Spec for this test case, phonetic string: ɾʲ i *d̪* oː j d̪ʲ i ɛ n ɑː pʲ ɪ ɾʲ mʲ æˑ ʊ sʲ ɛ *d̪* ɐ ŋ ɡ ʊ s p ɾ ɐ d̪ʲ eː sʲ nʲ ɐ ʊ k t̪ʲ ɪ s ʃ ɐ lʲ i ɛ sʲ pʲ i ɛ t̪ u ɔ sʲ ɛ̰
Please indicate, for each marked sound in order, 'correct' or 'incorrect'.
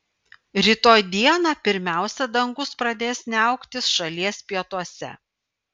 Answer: incorrect: t̪, correct

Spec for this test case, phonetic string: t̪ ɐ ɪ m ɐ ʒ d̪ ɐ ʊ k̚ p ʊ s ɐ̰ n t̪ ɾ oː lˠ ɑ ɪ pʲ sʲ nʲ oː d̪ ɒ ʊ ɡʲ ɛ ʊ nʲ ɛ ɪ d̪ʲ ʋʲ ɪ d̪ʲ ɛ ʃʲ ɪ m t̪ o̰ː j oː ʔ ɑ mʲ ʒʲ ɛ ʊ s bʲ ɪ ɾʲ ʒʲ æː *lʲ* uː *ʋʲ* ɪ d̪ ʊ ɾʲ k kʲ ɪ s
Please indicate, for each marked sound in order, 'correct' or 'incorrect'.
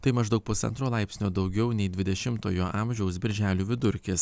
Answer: correct, correct

